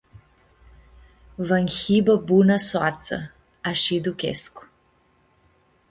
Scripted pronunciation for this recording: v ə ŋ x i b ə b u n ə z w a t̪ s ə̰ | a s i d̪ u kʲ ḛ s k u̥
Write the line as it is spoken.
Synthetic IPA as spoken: v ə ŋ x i b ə b u n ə s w a t̪ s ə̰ | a ʃ i d̪ u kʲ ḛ s k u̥